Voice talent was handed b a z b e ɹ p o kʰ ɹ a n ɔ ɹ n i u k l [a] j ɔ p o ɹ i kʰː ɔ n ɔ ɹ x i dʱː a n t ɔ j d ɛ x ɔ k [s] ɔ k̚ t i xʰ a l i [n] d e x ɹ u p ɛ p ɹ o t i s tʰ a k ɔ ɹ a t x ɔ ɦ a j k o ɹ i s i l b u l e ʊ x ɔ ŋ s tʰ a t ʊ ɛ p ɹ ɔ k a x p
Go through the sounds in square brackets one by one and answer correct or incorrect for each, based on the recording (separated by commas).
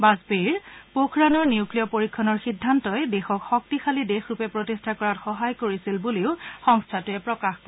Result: incorrect, incorrect, incorrect